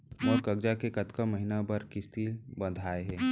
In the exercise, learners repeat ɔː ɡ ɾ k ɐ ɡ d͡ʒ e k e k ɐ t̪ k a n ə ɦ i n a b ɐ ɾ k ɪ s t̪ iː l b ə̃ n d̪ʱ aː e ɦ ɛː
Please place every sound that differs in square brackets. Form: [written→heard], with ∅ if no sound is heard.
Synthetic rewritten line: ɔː [ɡ→∅] ɾ k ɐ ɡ d͡ʒ [e→a] k e k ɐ t̪ k a [n→m] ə ɦ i n a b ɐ ɾ k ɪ s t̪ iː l b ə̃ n d̪ʱ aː e ɦ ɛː